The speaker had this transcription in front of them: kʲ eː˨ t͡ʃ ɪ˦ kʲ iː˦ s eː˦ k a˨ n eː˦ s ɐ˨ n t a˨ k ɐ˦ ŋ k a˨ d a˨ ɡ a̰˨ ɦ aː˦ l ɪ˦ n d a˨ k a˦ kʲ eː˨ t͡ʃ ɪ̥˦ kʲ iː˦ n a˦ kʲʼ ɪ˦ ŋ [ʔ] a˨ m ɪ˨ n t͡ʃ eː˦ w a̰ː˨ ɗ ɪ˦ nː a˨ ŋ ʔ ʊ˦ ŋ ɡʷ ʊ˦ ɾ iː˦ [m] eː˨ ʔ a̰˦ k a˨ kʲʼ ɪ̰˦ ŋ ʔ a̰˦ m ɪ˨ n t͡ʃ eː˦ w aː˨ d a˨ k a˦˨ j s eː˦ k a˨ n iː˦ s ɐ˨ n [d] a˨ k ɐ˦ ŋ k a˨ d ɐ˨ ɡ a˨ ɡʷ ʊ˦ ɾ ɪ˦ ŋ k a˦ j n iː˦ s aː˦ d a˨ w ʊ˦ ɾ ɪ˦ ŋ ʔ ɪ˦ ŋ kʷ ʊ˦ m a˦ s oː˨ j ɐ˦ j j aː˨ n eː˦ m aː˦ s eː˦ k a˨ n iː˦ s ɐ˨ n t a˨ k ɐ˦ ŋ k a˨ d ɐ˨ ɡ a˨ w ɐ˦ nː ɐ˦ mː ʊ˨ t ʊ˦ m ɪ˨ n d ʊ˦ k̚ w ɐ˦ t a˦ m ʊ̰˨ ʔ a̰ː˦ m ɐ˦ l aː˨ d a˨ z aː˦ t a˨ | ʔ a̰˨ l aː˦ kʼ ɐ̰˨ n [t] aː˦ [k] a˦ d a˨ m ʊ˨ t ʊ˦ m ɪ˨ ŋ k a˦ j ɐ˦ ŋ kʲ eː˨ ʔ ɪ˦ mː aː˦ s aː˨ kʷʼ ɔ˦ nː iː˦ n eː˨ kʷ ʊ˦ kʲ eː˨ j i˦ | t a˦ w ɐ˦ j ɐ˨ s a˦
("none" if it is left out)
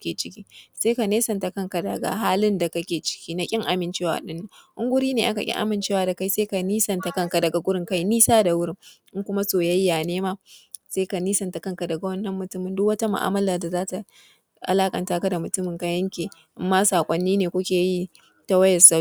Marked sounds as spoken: ʔ, n, t, t, k

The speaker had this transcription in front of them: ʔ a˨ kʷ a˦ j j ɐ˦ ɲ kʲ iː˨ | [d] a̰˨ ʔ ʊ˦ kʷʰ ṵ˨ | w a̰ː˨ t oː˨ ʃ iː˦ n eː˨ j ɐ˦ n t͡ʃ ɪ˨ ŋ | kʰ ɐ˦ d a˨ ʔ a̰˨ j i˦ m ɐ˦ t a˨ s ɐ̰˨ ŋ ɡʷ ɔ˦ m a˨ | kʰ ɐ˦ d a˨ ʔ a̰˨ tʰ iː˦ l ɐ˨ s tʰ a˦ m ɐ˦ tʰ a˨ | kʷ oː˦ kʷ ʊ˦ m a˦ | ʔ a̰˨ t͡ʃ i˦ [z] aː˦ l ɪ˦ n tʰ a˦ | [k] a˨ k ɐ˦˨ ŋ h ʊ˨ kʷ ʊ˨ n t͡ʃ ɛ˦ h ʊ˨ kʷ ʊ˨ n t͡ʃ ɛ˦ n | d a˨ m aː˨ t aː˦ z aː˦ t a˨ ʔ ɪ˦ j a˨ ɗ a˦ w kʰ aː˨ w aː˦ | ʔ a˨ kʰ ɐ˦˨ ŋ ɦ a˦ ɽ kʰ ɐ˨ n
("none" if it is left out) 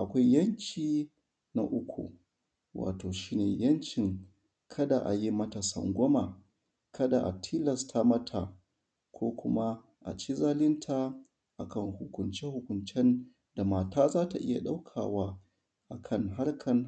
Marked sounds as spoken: n, z, ʔ

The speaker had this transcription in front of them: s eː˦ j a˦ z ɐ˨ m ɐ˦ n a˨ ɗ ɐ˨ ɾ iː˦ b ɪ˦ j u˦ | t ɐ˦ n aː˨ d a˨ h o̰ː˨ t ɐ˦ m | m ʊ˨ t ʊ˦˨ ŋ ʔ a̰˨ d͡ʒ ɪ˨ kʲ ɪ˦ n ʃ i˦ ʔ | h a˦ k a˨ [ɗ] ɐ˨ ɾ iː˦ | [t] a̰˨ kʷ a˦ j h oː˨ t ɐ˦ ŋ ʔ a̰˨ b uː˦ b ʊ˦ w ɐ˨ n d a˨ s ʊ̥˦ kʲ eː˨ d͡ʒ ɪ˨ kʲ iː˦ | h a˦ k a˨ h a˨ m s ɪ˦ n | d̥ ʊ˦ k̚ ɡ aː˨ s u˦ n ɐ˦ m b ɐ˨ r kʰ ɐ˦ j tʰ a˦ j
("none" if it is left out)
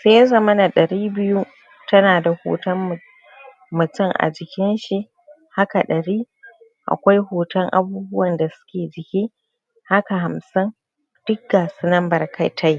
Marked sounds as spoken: ɗ, ʔ

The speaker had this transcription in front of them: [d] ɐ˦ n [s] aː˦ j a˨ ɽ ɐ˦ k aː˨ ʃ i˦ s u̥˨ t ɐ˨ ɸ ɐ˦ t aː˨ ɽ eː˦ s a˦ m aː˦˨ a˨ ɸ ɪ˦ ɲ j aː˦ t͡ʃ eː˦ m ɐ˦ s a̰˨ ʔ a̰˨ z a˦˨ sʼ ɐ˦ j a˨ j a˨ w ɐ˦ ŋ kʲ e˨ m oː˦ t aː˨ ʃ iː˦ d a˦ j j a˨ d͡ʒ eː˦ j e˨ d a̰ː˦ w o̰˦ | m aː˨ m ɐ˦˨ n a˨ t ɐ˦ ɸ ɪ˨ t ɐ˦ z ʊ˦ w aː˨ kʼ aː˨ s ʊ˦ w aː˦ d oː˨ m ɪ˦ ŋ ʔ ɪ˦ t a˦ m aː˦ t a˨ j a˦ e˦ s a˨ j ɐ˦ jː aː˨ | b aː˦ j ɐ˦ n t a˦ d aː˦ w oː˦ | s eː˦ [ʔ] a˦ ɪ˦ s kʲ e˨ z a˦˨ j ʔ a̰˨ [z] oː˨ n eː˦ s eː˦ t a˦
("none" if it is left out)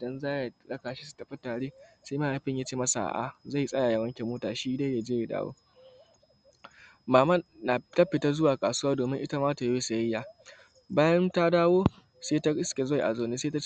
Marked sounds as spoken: d, z, t, z

